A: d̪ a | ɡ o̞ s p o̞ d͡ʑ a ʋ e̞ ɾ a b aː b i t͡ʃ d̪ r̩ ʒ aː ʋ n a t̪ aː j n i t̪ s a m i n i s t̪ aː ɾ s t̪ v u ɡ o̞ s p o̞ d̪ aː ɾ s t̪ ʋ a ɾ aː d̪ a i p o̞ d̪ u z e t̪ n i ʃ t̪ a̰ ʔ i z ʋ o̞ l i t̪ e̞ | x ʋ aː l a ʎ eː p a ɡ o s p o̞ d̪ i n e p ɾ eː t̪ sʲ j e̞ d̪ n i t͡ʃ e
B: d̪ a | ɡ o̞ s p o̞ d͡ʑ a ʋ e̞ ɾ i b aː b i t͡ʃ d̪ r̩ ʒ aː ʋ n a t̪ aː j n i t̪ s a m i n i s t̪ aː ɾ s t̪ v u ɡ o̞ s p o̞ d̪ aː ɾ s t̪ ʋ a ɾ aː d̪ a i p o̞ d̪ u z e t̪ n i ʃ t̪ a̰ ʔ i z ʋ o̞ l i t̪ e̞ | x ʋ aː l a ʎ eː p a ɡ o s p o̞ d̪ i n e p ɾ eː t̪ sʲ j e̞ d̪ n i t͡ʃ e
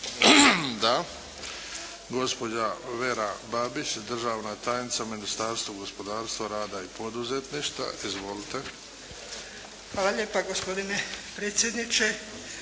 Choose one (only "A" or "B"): A